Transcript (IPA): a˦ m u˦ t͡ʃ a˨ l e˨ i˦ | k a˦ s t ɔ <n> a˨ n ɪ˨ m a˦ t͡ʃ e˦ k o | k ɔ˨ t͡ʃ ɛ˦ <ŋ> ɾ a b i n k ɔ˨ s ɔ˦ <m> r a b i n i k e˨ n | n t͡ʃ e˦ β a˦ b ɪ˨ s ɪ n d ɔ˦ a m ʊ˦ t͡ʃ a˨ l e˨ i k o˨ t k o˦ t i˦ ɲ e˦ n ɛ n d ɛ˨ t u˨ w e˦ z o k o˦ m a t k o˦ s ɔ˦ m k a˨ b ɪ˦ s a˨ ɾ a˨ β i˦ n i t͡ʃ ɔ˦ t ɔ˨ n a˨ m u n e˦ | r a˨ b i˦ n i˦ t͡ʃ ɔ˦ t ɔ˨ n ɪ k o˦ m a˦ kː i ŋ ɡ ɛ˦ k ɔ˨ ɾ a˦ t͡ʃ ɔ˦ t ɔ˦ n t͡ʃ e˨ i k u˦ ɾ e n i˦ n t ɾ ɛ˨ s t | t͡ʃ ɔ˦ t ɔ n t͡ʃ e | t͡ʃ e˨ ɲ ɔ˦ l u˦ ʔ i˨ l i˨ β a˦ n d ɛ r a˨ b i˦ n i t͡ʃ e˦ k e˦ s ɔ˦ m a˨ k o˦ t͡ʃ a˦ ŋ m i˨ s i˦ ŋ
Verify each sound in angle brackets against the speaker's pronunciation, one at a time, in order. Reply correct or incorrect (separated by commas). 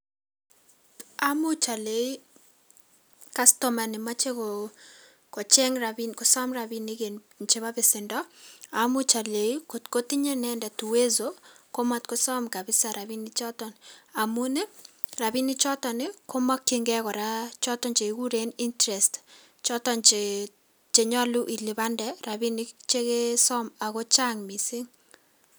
incorrect, correct, correct